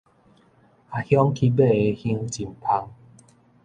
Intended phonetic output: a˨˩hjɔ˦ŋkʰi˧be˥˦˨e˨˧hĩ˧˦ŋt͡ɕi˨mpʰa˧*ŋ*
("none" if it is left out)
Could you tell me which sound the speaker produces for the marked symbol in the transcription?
ŋ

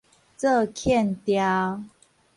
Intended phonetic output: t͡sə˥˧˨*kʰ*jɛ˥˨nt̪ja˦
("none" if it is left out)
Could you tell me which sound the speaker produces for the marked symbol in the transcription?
kʰ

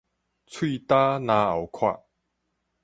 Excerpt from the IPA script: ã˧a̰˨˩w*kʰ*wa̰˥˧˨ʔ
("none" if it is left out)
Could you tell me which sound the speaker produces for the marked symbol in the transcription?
kʰ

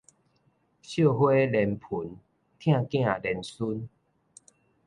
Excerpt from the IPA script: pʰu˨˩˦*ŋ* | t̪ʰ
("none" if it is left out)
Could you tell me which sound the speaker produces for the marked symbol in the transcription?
n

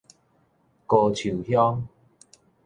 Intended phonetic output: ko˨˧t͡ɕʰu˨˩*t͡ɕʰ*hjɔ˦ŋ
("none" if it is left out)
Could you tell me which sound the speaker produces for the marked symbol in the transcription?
none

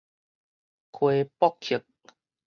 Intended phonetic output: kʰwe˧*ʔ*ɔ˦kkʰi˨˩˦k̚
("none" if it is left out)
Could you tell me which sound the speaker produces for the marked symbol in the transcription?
p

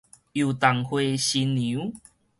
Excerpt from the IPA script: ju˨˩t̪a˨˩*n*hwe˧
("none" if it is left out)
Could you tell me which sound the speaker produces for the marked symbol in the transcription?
ŋ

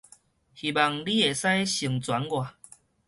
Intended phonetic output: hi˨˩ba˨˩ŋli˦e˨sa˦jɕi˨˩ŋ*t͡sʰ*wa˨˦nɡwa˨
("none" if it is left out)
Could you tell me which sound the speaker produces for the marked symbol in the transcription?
t͡s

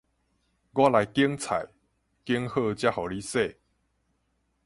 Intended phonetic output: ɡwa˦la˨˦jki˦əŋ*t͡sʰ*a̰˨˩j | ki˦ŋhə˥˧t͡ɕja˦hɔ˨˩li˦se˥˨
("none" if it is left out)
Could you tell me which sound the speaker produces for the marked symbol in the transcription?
t͡sʰ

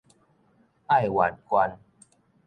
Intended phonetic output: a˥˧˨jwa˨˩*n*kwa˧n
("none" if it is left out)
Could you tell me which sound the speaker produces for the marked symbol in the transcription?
n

